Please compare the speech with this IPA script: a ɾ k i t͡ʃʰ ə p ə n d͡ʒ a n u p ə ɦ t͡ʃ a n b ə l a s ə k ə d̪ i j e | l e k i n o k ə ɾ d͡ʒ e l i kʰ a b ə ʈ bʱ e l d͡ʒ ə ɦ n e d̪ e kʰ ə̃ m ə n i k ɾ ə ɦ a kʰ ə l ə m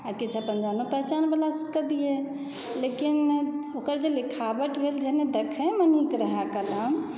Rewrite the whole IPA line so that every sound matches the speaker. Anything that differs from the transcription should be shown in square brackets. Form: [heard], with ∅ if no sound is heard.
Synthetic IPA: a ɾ k i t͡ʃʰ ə p ə n d͡ʒ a n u p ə ɦ t͡ʃ a n b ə l a s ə k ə d̪ i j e | l e k i n o k ə ɾ d͡ʒ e l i kʰ a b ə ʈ bʱ e l d͡ʒ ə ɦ n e d̪ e kʰ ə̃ m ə n i k ɾ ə ɦ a [k] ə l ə m